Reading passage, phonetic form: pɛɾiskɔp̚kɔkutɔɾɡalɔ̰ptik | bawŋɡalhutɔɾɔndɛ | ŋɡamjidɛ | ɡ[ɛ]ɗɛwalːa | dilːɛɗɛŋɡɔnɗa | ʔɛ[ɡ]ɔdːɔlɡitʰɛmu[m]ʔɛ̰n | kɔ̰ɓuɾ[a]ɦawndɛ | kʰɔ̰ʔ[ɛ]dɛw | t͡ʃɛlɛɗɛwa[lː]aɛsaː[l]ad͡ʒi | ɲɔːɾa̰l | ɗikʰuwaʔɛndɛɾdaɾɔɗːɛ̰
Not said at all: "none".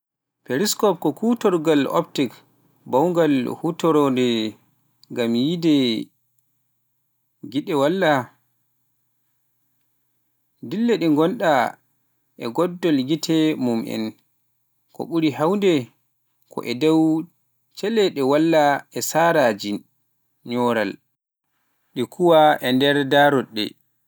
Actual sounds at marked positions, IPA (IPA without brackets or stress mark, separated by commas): i, ɡ, m, i, ɛ, lː, ɾ